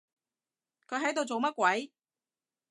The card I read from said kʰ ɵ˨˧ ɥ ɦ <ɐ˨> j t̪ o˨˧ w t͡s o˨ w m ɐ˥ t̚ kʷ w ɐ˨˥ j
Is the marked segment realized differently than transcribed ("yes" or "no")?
yes